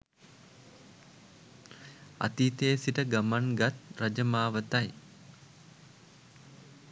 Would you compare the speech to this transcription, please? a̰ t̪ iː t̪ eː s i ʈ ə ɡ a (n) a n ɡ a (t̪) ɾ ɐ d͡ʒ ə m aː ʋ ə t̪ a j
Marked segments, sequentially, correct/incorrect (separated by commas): incorrect, correct